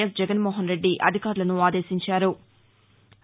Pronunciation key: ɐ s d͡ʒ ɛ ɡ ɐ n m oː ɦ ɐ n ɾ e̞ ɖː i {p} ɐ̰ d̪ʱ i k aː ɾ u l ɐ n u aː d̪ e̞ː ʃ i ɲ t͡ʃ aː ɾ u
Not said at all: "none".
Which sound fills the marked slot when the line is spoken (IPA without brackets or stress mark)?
ʔ